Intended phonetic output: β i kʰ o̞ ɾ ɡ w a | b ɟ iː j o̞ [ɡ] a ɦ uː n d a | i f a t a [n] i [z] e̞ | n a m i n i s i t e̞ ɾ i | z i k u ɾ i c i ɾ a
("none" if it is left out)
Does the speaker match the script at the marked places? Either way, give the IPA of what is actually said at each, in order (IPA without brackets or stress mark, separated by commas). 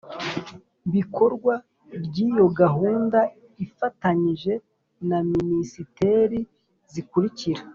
ɡ, ɲ, ʒ